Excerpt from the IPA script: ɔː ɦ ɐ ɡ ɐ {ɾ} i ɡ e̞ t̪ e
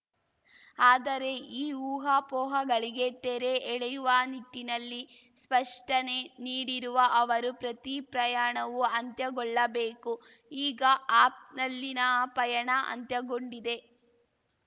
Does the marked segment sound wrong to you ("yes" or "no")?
yes